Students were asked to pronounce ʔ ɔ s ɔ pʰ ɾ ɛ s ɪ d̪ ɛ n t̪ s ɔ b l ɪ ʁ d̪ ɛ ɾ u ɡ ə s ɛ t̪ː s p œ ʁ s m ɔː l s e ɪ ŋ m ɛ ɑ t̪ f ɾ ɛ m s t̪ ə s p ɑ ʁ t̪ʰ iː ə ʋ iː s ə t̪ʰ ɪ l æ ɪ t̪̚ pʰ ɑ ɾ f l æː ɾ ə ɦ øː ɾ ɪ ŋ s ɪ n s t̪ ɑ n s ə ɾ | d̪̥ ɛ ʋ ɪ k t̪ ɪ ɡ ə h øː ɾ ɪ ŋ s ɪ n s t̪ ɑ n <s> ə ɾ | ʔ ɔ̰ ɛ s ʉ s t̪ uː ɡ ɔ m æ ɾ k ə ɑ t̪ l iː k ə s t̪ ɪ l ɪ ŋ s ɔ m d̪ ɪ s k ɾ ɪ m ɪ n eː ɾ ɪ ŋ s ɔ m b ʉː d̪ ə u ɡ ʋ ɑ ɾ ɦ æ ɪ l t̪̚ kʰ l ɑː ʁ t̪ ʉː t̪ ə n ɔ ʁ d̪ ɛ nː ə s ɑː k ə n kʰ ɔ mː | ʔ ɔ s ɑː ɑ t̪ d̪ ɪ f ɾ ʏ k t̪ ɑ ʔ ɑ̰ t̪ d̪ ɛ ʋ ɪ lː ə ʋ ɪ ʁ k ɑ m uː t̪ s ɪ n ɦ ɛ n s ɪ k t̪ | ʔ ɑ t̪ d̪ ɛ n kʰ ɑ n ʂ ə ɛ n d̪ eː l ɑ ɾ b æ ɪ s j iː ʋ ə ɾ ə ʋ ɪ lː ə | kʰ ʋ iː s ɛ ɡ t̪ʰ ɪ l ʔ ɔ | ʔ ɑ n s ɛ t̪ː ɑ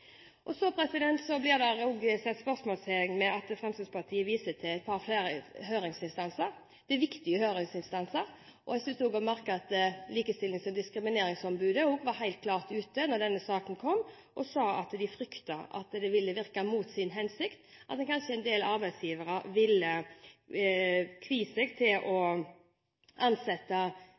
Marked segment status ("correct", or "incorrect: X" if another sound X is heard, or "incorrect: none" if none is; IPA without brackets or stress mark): correct